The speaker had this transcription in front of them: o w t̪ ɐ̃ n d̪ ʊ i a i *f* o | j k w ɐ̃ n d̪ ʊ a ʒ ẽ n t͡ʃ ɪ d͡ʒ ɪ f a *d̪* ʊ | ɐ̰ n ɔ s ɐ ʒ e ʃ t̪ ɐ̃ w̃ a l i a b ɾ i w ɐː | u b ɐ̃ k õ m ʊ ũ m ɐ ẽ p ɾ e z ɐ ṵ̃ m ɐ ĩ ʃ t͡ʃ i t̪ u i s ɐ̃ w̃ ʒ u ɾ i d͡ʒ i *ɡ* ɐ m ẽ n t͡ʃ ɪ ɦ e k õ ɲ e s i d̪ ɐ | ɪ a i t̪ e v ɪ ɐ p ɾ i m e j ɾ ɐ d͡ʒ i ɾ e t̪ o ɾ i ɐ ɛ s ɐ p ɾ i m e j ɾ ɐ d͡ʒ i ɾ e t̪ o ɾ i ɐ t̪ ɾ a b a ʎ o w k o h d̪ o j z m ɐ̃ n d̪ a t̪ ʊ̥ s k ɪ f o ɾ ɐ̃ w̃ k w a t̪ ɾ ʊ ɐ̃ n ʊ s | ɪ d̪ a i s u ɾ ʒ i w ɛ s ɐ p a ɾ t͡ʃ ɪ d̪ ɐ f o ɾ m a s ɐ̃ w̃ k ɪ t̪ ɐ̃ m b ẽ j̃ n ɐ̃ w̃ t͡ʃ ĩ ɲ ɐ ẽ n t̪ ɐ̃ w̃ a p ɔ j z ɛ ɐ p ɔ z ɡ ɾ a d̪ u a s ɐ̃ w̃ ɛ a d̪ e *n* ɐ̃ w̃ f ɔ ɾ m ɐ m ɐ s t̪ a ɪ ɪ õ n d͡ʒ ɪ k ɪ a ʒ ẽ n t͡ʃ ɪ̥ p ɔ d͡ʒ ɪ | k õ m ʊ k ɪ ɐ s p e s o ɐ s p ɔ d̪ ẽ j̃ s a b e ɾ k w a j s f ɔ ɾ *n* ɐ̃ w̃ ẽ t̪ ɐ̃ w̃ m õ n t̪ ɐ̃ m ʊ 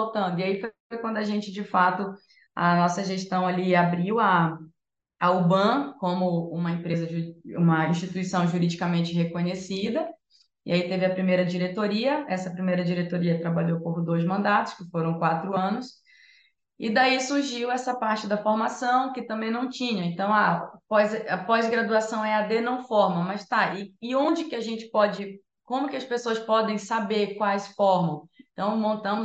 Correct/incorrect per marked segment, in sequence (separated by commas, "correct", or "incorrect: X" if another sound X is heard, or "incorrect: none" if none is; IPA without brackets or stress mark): correct, incorrect: t̪, incorrect: k, correct, incorrect: m